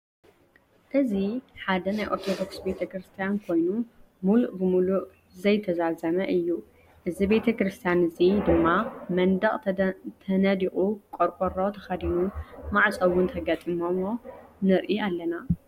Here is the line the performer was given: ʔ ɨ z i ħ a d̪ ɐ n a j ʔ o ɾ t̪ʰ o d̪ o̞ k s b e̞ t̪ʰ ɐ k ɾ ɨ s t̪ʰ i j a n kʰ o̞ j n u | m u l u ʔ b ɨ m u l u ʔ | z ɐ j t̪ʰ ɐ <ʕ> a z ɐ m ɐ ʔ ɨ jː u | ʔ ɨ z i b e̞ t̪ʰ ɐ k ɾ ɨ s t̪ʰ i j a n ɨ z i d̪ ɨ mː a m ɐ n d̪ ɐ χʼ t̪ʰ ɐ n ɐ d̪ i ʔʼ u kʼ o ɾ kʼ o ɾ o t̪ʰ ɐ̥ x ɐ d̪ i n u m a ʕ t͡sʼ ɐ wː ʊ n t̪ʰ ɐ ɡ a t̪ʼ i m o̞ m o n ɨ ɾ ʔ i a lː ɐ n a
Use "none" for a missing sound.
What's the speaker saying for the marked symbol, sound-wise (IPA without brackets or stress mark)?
z